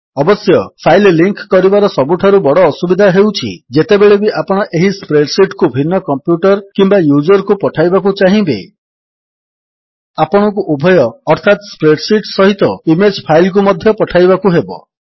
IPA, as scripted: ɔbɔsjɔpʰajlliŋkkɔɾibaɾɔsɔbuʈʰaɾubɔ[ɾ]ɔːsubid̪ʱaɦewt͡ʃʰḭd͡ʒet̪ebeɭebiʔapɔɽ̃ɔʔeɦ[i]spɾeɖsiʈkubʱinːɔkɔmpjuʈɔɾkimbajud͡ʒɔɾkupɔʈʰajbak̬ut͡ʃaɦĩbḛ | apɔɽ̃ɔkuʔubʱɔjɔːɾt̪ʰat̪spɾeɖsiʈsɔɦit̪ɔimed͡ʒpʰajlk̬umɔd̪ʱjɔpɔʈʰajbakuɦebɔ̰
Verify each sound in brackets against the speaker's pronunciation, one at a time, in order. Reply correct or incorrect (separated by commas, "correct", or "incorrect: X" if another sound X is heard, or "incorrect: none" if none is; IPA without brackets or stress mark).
incorrect: ɽ, correct